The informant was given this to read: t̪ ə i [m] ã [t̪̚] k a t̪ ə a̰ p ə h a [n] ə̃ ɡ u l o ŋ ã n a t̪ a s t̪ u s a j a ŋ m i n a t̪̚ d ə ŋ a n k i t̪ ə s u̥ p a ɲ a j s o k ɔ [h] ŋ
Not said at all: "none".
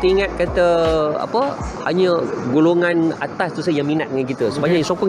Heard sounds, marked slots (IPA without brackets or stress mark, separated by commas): ŋ, t̪̚, ɲ, none